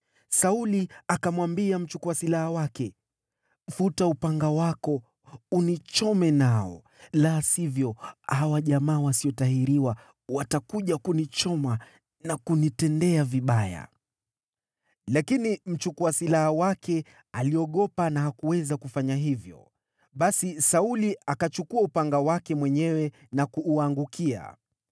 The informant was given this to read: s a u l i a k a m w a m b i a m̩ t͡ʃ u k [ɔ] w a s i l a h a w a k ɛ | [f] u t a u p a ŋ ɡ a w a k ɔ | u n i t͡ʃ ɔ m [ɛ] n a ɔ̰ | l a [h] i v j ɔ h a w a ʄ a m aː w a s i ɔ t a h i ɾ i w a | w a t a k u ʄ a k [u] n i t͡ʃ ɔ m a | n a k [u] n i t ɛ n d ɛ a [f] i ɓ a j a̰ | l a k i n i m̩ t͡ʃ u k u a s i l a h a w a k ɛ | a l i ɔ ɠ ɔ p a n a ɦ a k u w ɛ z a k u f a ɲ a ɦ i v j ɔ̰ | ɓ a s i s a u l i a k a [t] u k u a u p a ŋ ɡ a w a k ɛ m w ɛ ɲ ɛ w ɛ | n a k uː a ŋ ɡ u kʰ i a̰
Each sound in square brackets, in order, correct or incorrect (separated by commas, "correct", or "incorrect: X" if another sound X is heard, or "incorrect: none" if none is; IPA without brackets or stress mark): incorrect: u, correct, correct, incorrect: s, correct, correct, incorrect: v, incorrect: t͡ʃ